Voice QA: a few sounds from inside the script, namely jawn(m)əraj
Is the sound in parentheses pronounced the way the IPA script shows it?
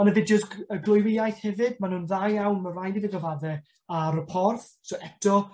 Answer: yes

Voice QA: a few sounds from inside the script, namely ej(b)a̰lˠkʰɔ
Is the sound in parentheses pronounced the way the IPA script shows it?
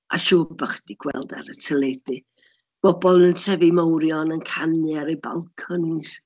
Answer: yes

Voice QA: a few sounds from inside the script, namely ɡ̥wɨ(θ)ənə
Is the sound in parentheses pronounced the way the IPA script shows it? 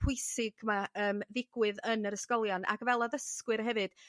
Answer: no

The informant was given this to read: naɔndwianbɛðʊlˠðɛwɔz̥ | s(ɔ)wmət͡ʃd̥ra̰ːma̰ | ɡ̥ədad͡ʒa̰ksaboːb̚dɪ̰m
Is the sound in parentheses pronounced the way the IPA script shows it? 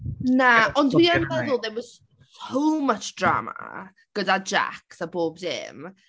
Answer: no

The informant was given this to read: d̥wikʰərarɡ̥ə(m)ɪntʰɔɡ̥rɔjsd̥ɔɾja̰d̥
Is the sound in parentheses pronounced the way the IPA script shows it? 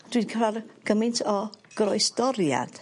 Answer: yes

